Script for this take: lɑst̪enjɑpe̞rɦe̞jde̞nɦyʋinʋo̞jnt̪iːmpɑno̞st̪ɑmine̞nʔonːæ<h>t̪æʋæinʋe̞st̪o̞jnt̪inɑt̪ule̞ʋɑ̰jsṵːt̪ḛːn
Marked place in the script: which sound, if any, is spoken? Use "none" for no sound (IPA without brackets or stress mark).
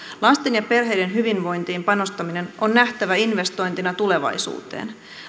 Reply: h